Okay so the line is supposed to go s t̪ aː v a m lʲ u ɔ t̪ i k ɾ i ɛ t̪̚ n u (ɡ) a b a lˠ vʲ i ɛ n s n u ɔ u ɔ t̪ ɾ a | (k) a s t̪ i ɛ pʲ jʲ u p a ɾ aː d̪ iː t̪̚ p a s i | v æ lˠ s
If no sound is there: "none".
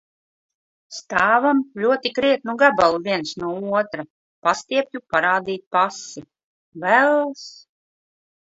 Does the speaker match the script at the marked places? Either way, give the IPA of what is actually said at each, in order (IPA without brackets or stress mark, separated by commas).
ɡ, p